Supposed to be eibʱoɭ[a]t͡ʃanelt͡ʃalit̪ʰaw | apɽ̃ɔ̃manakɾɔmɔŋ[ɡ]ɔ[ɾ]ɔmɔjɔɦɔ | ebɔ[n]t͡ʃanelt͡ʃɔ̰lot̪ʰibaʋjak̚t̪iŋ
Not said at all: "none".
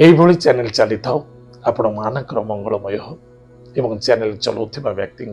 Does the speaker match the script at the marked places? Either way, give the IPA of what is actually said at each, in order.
i, ɡ, ɭ, ŋ

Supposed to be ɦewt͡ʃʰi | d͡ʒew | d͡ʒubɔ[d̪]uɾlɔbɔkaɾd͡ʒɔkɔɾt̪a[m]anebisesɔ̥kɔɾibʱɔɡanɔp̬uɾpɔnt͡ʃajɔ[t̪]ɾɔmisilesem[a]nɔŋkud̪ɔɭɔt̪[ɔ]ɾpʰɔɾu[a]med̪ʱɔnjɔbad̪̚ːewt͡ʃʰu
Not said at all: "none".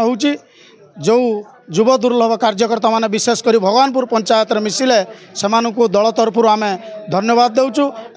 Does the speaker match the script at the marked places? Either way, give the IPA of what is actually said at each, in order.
d̪, m, t̪, a, ɔ, a

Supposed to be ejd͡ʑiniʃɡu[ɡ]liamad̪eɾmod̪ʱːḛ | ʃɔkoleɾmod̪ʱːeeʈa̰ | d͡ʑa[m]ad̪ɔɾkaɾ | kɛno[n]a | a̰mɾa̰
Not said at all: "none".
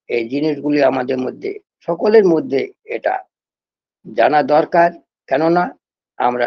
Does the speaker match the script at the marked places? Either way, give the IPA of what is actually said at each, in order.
none, n, n

